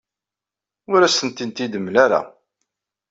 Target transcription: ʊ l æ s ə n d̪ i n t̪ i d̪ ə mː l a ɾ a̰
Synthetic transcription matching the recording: ʊ ɾ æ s ə n t̪ i n t̪ i d̪ ə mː l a ɾ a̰